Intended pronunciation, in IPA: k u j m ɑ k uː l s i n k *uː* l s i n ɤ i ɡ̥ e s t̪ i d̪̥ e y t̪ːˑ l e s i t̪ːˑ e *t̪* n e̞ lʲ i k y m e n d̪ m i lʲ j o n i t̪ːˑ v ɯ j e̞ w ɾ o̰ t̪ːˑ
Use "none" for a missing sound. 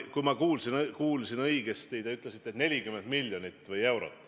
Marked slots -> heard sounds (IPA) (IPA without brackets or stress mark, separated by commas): uː, t̪